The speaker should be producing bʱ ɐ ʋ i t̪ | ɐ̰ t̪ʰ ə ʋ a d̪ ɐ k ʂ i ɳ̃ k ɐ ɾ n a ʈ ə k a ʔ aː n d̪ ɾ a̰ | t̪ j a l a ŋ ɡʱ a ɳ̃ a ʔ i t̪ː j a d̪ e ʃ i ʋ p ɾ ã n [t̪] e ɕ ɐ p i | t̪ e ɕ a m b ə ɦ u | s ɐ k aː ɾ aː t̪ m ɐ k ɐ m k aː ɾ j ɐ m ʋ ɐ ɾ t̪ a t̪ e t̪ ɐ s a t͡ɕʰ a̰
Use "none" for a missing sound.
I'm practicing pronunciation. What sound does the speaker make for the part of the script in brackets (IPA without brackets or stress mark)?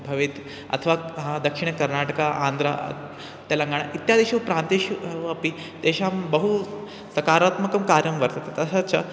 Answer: t̪